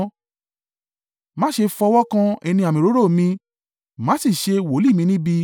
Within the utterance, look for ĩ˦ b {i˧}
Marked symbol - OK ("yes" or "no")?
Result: yes